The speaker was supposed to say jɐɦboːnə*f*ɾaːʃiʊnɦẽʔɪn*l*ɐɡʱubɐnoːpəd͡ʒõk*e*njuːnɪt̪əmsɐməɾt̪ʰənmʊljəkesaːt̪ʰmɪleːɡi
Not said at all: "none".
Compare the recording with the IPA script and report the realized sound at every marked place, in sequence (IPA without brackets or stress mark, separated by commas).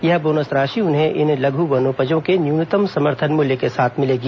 s, l, e